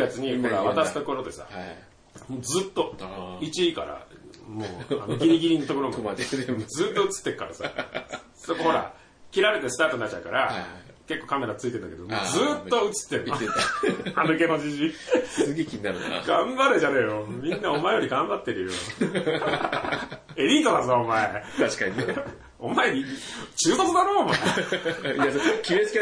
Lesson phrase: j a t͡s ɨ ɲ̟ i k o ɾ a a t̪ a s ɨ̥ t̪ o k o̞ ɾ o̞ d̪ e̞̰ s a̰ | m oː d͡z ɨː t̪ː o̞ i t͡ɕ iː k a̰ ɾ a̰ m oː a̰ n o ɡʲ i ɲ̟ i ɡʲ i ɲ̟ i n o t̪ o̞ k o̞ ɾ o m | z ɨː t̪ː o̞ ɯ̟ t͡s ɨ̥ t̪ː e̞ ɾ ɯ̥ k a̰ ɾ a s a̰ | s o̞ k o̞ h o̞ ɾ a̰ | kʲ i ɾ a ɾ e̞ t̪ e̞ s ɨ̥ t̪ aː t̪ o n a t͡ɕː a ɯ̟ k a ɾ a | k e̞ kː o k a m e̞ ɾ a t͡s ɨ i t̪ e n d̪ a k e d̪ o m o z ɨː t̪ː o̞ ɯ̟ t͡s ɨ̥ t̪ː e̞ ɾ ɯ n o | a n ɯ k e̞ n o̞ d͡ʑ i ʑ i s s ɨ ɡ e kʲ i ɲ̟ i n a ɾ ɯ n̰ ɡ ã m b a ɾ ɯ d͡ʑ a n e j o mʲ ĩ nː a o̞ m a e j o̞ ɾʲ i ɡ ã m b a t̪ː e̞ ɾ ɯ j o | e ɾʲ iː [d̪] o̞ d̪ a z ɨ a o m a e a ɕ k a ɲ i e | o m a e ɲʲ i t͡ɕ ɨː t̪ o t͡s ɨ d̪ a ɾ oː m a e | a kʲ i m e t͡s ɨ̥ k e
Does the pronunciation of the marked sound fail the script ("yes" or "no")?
yes